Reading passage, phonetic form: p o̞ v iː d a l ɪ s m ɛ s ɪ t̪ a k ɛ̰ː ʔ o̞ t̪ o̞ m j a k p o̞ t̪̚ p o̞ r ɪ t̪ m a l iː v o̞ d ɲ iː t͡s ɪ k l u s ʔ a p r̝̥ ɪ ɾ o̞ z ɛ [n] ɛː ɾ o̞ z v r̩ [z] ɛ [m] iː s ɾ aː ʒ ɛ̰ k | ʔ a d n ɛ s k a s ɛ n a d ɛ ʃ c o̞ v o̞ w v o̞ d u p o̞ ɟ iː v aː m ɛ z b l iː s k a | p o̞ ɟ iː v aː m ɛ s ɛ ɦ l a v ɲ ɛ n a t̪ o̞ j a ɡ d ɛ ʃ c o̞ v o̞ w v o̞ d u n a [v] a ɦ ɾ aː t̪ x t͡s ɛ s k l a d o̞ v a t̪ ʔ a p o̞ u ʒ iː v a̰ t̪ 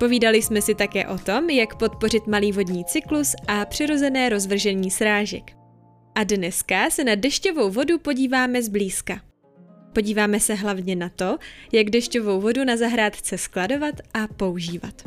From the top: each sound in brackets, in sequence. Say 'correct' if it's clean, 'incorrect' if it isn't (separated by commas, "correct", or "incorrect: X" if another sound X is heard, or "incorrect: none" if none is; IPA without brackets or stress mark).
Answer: correct, incorrect: ʒ, incorrect: ɲ, incorrect: z